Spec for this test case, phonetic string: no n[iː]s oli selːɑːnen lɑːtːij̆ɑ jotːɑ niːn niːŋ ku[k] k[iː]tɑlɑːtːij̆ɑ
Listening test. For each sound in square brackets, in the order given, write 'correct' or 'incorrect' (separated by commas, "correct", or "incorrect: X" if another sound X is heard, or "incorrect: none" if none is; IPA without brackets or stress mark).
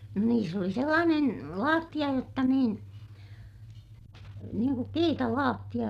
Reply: correct, correct, correct